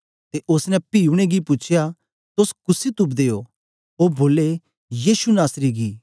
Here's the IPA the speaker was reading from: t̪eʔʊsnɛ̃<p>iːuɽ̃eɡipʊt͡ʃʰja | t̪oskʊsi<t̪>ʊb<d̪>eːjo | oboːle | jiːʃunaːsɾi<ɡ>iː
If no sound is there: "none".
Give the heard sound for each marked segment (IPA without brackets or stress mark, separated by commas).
p, t̪, d̪, ɡ